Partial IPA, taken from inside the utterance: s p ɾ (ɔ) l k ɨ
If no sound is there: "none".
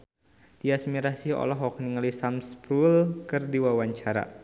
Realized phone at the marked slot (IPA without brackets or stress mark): u